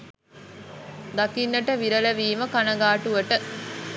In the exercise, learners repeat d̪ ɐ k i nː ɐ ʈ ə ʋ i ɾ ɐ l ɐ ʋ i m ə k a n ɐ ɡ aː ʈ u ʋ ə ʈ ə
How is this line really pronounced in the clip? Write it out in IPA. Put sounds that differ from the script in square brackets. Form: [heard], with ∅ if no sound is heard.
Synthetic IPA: d̪ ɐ k i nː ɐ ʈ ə ʋ i ɾ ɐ l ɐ ʋ [iː] m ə k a n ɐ ɡ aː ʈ u ʋ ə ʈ ə